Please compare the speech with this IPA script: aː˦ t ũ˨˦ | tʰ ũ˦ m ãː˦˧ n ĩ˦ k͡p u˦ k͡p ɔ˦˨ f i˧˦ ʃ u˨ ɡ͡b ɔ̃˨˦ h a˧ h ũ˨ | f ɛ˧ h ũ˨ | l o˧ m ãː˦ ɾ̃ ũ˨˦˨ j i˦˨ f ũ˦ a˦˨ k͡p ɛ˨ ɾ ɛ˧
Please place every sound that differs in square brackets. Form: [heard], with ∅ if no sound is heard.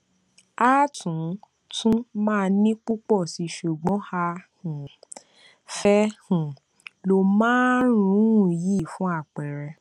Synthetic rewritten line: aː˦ t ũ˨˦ | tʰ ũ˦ m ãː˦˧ n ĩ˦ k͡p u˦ k͡p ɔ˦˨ [s] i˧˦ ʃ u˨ ɡ͡b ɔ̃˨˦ h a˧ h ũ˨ | f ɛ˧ h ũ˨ | l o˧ m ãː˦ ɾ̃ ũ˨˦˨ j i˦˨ f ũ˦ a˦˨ k͡p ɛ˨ ɾ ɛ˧